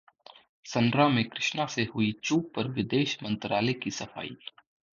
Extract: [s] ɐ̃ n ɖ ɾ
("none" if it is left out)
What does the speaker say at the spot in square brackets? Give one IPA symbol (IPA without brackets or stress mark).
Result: s